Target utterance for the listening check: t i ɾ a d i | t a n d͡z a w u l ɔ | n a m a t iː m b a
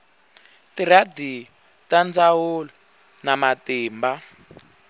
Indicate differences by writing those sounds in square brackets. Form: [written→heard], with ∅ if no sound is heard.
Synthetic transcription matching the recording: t i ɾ a d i | t a n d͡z a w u l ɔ | n a m a t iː m b a